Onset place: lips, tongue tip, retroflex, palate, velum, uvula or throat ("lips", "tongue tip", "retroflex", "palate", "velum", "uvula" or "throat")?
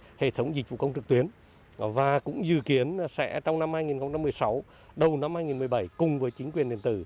throat